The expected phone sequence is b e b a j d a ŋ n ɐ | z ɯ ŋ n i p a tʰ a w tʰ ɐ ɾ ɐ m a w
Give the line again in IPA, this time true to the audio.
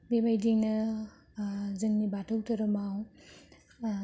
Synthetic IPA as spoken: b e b a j d i ŋ n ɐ | z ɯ ŋ n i b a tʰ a w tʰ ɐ ɾ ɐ m a w